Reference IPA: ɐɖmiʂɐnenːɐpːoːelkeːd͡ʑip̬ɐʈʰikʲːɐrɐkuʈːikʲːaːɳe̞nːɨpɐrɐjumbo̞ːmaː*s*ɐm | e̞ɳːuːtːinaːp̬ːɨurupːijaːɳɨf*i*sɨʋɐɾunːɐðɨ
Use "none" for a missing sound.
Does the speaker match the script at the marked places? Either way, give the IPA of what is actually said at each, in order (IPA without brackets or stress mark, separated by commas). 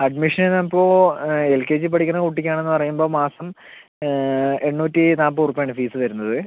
s, iː